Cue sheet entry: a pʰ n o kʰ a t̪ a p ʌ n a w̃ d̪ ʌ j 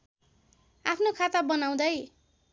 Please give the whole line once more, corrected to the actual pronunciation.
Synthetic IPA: a pʰ n o kʰ a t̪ a b ʌ n a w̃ d̪ ʌ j